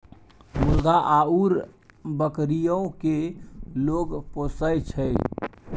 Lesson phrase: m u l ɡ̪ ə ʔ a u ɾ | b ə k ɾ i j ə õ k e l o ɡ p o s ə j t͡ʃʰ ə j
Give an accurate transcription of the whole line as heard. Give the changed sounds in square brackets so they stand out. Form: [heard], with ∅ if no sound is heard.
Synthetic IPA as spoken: m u l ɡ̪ [a] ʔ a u ɾ | b ə k ɾ i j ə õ k e l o ɡ p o s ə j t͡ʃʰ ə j